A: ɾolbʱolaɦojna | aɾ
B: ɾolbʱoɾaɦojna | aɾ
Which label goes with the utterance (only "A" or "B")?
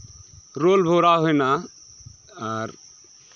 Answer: B